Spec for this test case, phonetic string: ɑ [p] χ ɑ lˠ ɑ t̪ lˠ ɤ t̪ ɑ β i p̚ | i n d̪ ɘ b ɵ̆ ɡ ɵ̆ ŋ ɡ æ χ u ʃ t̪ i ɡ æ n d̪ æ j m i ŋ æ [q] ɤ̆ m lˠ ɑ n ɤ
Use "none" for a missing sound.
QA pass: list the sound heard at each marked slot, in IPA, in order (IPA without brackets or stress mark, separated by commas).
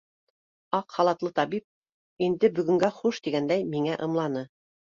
q, ʔ